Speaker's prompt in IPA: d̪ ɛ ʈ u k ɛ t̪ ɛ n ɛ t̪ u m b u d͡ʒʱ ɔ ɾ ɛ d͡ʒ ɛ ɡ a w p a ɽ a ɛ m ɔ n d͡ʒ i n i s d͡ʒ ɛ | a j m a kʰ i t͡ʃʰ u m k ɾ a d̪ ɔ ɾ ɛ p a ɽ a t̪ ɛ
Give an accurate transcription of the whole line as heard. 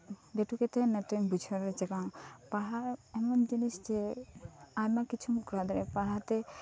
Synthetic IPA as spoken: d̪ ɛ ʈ u k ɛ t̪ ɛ n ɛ t̪ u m b u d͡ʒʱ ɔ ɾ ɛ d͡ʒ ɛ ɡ a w p a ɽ a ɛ m ɔ n d͡ʒ i n i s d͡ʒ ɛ | a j m a k i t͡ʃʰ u m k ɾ a d̪ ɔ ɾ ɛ p a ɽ a t̪ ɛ